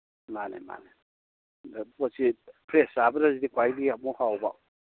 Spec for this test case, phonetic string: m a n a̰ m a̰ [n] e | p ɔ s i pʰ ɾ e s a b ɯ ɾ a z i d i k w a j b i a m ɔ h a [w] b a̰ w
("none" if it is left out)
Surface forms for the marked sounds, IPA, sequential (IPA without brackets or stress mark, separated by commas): n, w